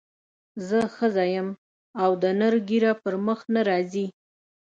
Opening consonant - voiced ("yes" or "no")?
yes